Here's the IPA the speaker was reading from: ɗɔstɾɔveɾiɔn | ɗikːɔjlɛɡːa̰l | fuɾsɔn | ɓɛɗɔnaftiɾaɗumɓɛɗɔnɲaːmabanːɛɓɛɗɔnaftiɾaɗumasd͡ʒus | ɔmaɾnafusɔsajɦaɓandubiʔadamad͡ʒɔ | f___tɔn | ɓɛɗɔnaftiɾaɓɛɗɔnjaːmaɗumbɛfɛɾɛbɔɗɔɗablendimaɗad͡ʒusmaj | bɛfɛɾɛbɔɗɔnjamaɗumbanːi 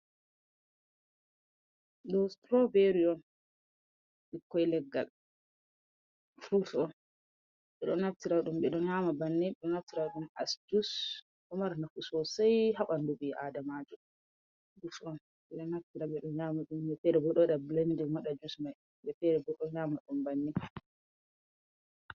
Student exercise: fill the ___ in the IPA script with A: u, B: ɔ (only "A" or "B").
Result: A